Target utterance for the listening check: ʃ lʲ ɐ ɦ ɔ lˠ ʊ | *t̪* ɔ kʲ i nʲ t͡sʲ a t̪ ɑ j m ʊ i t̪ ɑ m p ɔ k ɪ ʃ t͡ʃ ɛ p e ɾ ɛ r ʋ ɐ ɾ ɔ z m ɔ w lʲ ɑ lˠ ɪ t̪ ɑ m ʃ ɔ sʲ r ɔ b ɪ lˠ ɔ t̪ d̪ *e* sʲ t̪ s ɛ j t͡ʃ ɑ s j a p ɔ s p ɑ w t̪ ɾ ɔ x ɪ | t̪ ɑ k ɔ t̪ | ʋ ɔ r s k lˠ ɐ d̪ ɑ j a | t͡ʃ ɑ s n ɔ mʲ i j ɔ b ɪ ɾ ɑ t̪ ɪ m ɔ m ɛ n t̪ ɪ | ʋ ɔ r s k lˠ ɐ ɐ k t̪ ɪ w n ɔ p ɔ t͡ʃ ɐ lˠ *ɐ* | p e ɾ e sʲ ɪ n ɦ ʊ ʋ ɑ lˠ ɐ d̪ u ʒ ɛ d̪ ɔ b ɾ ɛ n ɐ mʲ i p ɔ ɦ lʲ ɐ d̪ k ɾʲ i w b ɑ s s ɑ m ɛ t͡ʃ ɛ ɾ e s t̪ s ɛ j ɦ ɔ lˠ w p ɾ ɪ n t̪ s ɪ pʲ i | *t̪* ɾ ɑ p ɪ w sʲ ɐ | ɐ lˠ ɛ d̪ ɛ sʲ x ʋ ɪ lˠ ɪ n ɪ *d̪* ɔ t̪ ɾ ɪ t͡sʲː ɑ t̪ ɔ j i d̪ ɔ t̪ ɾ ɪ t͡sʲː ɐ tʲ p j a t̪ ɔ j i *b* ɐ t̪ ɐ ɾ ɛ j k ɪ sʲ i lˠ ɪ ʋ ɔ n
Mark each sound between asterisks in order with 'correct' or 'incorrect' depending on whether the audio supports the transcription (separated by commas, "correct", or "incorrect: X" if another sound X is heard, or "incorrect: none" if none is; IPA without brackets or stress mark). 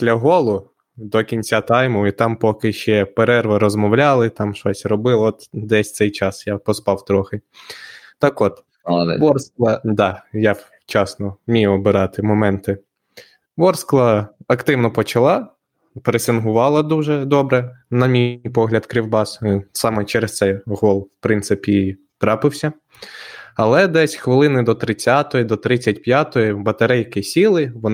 incorrect: d̪, incorrect: ɛ, incorrect: ɑ, correct, correct, correct